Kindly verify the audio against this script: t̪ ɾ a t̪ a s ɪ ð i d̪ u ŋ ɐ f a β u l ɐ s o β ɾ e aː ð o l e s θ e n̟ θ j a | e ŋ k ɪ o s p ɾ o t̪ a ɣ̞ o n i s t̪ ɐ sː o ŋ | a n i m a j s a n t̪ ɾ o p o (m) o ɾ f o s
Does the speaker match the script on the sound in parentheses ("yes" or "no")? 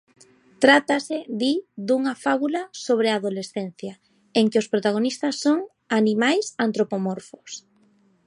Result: yes